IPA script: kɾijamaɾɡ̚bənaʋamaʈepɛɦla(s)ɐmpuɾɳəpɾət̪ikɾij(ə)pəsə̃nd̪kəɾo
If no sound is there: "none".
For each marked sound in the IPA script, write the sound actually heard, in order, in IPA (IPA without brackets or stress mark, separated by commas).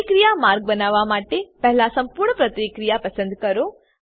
s, a